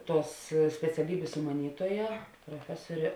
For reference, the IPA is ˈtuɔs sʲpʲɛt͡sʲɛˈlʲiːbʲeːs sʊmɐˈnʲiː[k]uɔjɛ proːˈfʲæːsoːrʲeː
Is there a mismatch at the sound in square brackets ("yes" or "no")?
yes